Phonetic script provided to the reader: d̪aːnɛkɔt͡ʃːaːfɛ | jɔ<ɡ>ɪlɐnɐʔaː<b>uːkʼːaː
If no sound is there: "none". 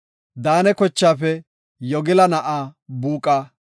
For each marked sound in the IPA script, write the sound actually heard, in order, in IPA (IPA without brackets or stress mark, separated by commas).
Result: ɡ, b